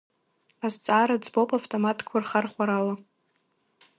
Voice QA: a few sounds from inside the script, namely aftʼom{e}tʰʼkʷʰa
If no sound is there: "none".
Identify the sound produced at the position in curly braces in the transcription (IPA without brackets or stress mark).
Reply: a